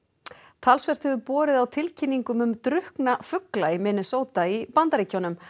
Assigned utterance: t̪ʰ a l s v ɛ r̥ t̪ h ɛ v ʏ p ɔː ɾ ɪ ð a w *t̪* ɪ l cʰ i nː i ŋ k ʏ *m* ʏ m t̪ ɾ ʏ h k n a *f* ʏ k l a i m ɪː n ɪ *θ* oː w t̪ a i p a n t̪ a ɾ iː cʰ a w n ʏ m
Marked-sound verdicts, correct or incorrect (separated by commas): incorrect, correct, correct, incorrect